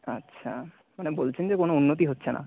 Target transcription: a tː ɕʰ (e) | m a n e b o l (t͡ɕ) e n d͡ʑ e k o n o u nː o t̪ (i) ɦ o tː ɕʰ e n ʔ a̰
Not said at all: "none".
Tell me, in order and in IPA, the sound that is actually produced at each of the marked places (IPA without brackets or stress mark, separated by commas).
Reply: a, t͡ɕʰ, i